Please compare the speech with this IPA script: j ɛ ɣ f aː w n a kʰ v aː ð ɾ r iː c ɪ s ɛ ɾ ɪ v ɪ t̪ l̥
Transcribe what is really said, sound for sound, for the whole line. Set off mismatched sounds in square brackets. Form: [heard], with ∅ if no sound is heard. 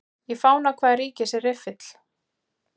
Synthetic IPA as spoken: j ɛ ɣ f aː w n a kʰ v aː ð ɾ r iː c ɪ s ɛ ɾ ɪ [f] ɪ t̪ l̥